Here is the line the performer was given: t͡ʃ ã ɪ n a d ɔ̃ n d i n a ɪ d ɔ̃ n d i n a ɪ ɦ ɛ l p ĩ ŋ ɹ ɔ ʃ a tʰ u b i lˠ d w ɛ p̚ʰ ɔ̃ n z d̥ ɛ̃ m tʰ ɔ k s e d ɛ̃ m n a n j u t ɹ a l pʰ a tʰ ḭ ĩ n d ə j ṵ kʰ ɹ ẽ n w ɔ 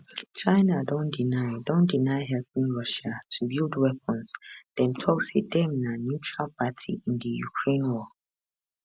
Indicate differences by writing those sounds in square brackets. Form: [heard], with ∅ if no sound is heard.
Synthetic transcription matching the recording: t͡ʃ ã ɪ n a d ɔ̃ n d i n a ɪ d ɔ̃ n d i n a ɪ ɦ ɛ l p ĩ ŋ ɹ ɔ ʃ a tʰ u b i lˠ d w ɛ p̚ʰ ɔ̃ n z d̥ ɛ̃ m tʰ ɔ k s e d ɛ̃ m n a n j u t ɹ a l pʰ a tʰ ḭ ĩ n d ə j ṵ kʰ ɹ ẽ n w ɔ